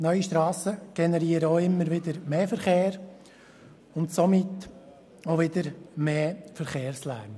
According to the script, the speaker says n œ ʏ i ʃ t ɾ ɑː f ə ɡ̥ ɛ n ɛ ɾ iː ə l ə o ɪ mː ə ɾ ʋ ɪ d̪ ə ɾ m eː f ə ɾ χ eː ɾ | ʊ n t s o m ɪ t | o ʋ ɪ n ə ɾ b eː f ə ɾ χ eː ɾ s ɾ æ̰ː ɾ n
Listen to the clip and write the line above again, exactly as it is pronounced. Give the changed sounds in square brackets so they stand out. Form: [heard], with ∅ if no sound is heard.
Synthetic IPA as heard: n œ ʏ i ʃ t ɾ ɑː [s] ə ɡ̥ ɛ n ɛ ɾ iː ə [ɾ] ə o ɪ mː ə ɾ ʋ ɪ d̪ ə ɾ m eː f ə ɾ χ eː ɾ | ʊ n t s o m ɪ t | o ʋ ɪ [d] ə ɾ [m] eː f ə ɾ χ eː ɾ s [l] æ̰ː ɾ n